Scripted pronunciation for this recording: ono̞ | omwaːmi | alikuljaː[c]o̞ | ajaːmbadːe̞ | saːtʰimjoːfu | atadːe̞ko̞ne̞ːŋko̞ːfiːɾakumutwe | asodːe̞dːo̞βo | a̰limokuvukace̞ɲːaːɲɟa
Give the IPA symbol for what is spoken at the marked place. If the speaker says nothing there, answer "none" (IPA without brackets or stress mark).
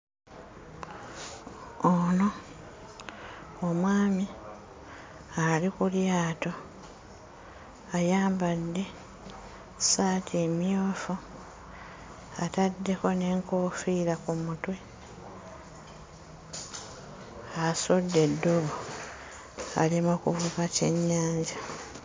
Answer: t